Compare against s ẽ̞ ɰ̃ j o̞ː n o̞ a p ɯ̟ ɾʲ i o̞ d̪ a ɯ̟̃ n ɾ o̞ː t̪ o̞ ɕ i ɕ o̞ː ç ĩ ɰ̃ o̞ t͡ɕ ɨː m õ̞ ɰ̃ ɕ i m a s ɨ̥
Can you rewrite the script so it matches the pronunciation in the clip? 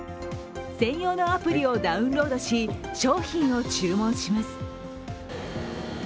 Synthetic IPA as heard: s ẽ̞ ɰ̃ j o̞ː n o̞ a p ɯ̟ ɾʲ i o̞ d̪ a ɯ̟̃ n ɾ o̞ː d̪ o̞ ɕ i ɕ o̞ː ç ĩ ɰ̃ o̞ t͡ɕ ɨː m õ̞ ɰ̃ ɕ i m a s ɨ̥